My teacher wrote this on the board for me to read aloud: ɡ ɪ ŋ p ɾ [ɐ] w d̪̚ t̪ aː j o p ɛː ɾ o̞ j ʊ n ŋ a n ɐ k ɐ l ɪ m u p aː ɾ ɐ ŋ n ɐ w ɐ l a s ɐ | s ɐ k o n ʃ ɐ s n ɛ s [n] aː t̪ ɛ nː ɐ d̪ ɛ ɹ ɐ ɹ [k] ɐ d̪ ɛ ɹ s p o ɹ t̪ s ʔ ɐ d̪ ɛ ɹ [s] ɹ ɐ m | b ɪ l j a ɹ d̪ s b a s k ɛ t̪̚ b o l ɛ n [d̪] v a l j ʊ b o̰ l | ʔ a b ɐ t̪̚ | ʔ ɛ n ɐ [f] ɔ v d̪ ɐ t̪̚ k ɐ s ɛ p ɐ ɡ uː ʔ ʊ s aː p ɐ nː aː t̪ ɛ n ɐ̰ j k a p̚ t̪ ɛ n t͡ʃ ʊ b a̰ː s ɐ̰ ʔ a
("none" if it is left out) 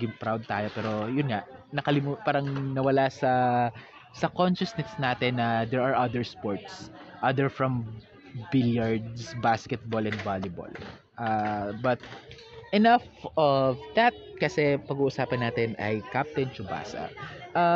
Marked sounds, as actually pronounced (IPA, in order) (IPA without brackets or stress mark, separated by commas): a, n, ʔ, f, d̪, f